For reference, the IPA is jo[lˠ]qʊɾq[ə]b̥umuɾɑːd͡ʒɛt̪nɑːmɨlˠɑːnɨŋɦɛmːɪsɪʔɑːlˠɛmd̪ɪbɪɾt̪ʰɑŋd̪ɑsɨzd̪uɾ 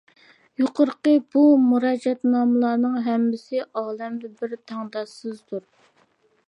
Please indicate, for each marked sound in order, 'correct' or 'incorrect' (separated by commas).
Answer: incorrect, correct